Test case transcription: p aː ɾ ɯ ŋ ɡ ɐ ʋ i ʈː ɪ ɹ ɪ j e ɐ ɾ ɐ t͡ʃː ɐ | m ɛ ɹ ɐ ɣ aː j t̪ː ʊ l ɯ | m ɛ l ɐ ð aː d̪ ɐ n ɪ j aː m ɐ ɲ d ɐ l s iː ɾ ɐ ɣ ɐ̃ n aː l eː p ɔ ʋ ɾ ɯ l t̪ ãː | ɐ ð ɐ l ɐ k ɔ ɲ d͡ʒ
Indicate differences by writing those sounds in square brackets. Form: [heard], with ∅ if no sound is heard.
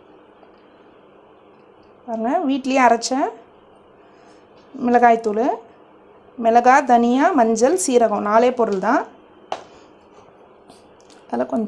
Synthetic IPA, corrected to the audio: p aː ɾ ɯ ŋ ɡ ɐ ʋ [iː] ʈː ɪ [l] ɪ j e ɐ ɾ ɐ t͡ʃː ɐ | m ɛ [l] ɐ ɣ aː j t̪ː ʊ l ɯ | m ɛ l ɐ [ɣ] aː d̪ ɐ n ɪ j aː m ɐ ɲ [d͡ʒ] ɐ l s iː ɾ ɐ ɣ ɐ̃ n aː l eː p ɔ [∅] ɾ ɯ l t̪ ãː | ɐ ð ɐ l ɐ k ɔ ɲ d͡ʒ

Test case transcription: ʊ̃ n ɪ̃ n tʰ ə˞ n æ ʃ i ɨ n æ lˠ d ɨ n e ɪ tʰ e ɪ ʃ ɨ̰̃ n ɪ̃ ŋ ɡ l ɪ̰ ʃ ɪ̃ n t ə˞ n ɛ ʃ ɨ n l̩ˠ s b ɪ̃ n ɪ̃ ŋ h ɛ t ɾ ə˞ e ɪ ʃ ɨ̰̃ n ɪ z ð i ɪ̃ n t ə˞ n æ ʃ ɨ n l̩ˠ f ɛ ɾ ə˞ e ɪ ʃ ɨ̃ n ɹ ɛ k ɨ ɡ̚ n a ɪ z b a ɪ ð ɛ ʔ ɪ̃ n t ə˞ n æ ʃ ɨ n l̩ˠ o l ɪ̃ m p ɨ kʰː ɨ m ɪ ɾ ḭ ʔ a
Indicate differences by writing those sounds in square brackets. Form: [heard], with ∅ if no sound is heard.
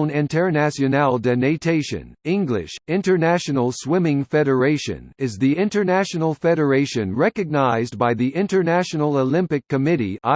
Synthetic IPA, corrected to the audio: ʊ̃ n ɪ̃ n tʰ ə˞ n æ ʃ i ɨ n æ lˠ d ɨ n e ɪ tʰ e ɪ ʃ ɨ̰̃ n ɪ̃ ŋ ɡ l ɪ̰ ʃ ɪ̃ n t ə˞ n [æ] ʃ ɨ n l̩ˠ s [w] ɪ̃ [m] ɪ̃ ŋ [f] ɛ [∅] ɾ ə˞ e ɪ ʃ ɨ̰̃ n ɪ z ð i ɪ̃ n t ə˞ n æ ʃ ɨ n l̩ˠ f ɛ ɾ ə˞ e ɪ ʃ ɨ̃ n ɹ ɛ k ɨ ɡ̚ n a ɪ z b a ɪ ð [i] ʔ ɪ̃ n t ə˞ n æ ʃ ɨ n l̩ˠ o l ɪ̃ m p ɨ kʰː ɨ m ɪ ɾ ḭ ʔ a

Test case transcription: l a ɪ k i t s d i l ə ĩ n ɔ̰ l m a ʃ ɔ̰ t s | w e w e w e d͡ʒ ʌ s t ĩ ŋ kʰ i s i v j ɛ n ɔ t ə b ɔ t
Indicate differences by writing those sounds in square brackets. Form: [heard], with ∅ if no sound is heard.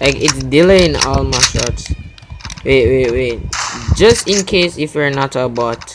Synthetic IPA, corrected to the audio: l a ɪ k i t s d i l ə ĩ n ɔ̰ l m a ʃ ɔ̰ t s | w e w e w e d͡ʒ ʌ s t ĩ [n] kʰ [e] s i [f] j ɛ n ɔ t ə b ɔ t

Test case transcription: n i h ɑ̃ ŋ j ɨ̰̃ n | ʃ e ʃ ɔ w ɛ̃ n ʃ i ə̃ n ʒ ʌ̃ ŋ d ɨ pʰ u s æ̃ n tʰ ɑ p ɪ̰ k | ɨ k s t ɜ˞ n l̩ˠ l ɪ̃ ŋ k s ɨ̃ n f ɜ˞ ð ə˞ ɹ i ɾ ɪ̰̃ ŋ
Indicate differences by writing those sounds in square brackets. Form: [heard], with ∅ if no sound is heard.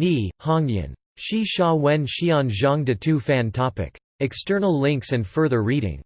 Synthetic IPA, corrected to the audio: n i h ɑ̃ ŋ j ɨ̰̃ n | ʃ [i] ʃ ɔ w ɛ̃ n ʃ i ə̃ n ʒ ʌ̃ ŋ d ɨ [tʰ] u [f] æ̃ n tʰ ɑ p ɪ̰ k | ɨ k s t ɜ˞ n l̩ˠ l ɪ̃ ŋ k s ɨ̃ n f ɜ˞ ð ə˞ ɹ i ɾ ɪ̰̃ ŋ

